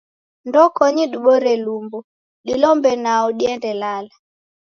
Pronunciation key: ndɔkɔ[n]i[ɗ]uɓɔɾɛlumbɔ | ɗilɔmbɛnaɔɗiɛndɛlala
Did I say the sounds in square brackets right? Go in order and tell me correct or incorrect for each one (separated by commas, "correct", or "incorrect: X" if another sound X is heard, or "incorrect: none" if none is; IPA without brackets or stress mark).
incorrect: ɲ, correct